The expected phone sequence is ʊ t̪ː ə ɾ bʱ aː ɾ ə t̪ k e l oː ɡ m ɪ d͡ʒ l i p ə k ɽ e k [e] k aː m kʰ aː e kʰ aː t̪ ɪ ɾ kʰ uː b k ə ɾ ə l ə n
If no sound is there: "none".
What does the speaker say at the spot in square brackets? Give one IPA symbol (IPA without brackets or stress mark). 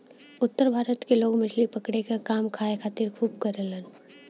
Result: a